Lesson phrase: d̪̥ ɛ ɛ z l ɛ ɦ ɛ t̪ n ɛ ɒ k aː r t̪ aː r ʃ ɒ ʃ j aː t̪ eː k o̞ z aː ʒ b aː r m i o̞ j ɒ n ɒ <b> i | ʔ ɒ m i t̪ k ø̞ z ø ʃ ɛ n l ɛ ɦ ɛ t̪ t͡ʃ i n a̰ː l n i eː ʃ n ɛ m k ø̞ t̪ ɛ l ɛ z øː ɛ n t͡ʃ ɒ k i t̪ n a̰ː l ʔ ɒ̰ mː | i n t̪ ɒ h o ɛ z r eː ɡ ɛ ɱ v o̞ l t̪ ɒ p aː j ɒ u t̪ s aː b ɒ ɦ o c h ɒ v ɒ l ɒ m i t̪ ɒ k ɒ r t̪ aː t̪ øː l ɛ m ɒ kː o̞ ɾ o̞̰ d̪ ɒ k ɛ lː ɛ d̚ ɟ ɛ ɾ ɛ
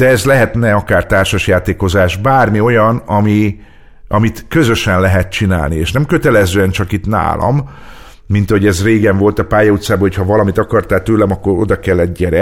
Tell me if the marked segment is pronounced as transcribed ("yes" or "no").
no